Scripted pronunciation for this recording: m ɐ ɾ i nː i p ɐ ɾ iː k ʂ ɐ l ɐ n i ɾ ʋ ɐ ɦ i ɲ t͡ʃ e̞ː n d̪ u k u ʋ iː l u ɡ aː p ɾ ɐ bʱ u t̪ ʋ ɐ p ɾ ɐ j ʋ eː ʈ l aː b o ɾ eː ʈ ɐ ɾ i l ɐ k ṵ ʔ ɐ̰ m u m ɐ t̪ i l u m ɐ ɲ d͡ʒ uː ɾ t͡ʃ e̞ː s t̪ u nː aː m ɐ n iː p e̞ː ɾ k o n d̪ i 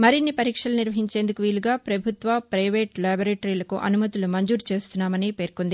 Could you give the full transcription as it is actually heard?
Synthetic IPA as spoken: m ɐ ɾ i nː i p ɐ ɾ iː k ʂ ɐ l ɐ n i ɾ ʋ ɐ ɦ i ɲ t͡ʃ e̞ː n d̪ u k u ʋ iː l u ɡ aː p ɾ ɐ bʱ u t̪ ʋ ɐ p ɾ ɐ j ʋ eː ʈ l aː b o ɾ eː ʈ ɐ ɾ i l ɐ k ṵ ʔ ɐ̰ n u m ɐ t̪ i l u m ɐ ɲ d͡ʒ uː ɾ t͡ʃ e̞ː s t̪ u nː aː m ɐ n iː p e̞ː ɾ k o n d̪ i